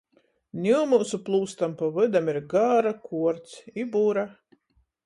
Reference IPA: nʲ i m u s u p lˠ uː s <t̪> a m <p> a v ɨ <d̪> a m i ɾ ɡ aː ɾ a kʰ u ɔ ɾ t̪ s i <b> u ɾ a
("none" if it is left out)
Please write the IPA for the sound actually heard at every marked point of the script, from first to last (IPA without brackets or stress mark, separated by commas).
t̪, p, d̪, b